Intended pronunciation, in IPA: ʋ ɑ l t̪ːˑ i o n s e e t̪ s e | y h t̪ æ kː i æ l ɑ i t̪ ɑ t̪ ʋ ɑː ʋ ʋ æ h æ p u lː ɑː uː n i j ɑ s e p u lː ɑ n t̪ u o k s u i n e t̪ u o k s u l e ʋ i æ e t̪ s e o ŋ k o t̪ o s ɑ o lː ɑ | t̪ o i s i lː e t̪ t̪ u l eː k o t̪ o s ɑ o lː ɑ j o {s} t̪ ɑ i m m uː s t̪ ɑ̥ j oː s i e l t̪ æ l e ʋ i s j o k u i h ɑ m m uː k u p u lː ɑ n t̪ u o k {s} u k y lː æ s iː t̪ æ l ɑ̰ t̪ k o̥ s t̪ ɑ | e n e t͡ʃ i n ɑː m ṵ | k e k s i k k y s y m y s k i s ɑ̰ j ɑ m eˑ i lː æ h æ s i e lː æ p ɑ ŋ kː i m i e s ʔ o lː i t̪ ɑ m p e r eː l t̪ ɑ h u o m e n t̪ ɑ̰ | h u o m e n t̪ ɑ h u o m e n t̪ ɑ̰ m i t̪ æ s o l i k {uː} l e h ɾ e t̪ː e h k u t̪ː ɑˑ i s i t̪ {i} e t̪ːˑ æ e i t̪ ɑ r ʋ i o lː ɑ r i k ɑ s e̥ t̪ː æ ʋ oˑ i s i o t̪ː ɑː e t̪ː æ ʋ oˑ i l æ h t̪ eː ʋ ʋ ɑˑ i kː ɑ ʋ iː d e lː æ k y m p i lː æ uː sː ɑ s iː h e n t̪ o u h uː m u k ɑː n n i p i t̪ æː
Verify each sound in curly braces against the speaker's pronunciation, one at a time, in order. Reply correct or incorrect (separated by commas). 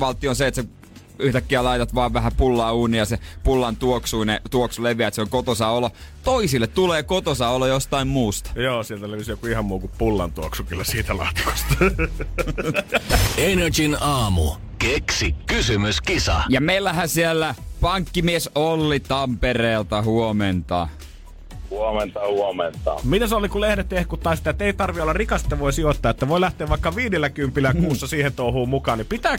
correct, correct, incorrect, incorrect